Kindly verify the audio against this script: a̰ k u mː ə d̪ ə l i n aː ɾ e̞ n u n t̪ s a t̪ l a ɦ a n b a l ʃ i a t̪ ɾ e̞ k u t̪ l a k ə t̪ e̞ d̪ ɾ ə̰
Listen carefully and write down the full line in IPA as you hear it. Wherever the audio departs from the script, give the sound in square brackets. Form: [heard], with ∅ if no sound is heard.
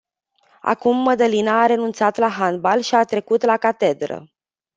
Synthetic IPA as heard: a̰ k u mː ə d̪ ə l i n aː ɾ e̞ n u n t̪ s a t̪ l a ɦ a n b a l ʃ i a t̪ ɾ e̞ k u t̪ l a k [a] t̪ e̞ d̪ ɾ ə̰